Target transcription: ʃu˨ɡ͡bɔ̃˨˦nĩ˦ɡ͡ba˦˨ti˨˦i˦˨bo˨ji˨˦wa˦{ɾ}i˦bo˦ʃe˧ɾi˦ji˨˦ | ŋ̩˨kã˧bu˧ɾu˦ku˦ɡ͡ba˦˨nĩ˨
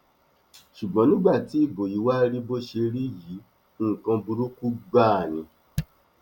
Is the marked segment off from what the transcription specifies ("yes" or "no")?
no